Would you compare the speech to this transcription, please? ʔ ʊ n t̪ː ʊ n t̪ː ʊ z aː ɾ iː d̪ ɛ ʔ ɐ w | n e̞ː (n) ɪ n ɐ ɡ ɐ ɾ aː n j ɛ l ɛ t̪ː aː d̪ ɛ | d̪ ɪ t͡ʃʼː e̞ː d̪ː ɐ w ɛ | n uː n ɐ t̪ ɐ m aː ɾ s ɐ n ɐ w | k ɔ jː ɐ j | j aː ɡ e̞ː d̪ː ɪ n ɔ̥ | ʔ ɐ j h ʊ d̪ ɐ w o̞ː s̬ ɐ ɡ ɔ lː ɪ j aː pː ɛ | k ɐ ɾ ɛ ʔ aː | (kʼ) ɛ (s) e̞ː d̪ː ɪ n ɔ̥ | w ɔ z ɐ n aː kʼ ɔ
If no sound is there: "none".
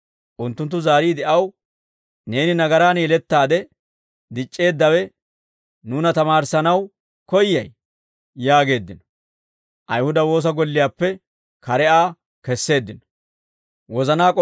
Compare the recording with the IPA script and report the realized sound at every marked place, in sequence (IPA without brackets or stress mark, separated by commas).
n, k, sː